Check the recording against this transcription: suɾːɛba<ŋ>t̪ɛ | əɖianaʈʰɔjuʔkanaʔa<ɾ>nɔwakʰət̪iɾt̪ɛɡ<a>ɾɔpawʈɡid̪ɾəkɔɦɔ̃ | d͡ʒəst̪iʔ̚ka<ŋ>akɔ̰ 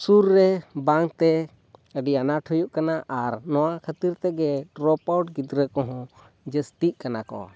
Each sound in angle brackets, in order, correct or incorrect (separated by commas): correct, correct, incorrect, incorrect